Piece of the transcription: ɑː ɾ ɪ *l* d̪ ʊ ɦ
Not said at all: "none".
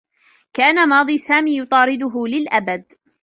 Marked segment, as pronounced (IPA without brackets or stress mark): none